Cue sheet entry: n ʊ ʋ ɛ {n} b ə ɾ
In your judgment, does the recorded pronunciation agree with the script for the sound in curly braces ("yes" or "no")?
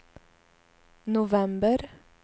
no